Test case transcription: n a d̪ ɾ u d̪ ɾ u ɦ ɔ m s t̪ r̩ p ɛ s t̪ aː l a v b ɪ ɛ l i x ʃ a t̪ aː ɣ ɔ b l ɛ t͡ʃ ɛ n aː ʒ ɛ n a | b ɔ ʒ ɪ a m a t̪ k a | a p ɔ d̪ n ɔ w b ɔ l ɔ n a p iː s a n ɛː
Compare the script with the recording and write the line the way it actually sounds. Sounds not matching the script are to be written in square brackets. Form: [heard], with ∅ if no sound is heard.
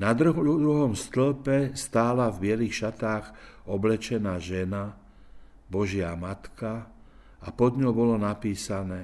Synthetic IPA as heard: n a d̪ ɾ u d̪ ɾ u ɦ ɔ m s t̪ [l̩] p ɛ s t̪ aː l a v b ɪ ɛ l i x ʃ a t̪ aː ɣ ɔ b l ɛ t͡ʃ ɛ n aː ʒ ɛ n a | b ɔ ʒ ɪ a m a t̪ k a | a p ɔ d̪ [ɲ] ɔ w b ɔ l ɔ n a p iː s a n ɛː